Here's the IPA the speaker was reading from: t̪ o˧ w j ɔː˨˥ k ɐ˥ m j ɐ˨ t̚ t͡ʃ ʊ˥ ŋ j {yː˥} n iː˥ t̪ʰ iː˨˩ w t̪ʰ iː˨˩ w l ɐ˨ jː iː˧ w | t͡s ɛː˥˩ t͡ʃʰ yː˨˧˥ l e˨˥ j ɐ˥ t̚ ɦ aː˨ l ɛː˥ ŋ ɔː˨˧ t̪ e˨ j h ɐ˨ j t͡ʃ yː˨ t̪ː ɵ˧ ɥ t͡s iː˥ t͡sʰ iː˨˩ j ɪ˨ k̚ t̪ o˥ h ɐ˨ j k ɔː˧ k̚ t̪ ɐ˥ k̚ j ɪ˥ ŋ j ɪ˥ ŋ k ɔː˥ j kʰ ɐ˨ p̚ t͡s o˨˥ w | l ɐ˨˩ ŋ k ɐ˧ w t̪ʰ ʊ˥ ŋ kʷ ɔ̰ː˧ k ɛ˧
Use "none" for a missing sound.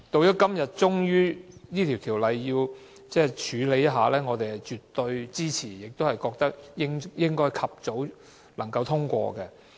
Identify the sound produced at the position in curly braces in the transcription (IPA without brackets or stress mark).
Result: yː˥